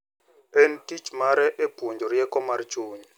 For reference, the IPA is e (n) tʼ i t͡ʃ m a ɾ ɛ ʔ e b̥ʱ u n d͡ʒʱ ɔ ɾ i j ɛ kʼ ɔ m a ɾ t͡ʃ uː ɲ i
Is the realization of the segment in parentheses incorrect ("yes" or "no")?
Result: no